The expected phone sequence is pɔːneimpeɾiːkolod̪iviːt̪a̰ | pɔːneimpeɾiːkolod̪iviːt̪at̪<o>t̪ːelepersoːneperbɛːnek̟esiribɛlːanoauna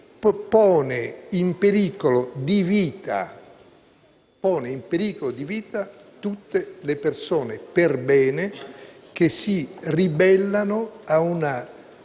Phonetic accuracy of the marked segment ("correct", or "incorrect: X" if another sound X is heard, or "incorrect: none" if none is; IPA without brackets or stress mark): incorrect: u